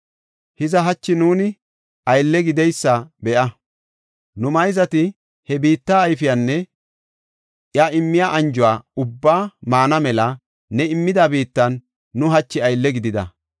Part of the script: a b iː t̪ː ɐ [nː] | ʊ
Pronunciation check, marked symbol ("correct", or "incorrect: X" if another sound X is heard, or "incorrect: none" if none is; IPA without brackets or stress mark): correct